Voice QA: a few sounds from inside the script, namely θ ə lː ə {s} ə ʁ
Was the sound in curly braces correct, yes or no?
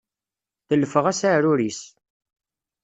no